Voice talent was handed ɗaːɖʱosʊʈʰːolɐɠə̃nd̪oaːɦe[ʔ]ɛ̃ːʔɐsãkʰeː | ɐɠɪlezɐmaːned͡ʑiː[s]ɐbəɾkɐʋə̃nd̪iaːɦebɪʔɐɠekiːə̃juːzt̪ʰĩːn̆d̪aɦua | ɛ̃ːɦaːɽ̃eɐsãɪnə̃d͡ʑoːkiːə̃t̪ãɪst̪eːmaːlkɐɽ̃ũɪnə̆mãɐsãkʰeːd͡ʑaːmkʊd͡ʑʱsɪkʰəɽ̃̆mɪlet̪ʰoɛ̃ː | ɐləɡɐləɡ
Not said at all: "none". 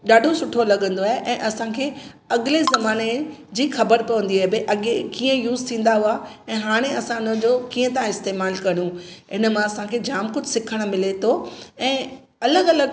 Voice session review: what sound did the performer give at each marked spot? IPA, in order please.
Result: ʔ, x

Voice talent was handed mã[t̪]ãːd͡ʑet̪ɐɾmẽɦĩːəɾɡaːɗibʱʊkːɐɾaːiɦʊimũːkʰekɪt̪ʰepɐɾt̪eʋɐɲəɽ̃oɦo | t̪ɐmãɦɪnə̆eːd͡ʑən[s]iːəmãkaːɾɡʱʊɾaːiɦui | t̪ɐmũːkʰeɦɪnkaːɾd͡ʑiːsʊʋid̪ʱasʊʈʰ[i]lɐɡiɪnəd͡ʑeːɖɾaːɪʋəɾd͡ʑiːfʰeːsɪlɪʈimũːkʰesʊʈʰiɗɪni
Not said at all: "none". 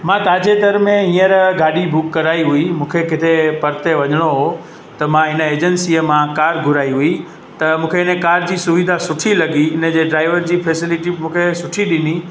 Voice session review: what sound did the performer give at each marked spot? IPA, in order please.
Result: t̪, s, i

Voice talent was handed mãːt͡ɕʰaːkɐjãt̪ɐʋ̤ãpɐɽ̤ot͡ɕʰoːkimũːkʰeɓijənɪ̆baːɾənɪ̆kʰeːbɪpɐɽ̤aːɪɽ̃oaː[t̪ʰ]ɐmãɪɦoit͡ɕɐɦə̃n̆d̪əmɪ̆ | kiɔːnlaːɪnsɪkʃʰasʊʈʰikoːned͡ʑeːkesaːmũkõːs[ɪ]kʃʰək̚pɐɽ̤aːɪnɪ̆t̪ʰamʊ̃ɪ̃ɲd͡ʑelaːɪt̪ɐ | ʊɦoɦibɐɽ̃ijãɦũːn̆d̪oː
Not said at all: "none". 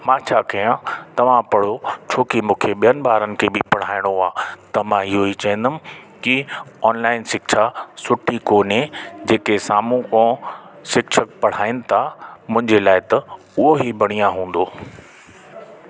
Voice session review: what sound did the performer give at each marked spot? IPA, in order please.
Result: t̪, ɪ

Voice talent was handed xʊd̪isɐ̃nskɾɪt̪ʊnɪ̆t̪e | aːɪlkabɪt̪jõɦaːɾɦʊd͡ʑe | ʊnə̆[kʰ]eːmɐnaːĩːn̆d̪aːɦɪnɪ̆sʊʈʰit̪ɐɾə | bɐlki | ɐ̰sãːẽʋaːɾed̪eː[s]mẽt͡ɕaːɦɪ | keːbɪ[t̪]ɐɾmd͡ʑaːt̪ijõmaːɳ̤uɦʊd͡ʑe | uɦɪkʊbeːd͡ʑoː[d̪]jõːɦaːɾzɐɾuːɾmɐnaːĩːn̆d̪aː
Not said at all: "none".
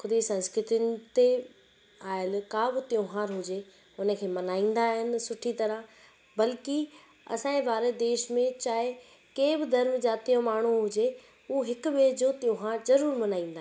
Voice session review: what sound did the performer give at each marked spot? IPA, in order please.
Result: kʰ, ʃ, d̪, t̪

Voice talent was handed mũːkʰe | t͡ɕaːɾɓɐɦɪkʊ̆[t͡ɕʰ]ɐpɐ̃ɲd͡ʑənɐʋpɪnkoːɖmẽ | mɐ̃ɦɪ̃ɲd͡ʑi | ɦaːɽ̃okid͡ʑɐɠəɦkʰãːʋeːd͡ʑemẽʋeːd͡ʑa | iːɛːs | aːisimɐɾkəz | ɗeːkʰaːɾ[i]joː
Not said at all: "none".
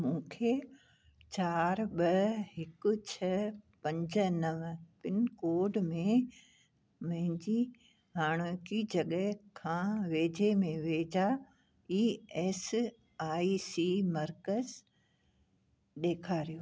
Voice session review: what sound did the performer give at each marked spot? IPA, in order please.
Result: t͡ɕʰ, i

